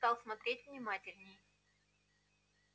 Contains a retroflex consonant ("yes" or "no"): no